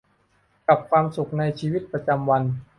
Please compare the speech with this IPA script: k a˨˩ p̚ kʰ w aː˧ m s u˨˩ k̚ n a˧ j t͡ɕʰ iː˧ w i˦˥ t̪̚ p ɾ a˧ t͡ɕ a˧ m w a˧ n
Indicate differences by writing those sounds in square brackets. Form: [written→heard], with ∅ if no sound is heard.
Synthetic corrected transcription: k a˨˩ p̚ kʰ w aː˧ m s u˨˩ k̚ n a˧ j t͡ɕʰ iː˧ w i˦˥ t̪̚ p ɾ a˧ t͡ɕ a˧ m w a˧ n